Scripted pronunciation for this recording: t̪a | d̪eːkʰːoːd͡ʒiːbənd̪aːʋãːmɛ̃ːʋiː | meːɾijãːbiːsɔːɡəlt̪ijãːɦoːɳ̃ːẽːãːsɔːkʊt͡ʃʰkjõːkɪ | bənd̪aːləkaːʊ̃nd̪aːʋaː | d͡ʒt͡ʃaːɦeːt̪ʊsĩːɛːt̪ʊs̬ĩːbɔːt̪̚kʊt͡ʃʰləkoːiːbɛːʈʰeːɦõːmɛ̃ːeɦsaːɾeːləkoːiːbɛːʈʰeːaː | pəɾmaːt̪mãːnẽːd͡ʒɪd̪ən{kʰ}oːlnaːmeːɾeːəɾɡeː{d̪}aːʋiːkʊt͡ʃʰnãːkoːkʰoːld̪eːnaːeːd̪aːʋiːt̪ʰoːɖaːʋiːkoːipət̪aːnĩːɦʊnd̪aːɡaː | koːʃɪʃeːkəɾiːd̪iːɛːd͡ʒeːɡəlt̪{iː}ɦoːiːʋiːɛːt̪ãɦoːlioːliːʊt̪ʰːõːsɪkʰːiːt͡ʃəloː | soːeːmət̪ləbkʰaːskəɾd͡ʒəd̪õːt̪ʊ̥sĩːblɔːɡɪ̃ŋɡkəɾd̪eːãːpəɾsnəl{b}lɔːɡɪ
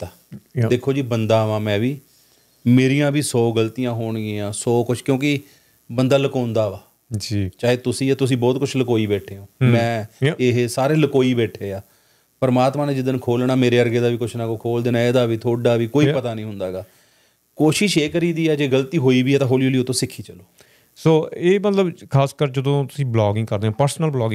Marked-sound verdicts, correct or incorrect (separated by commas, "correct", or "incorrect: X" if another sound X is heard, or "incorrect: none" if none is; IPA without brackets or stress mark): correct, correct, correct, correct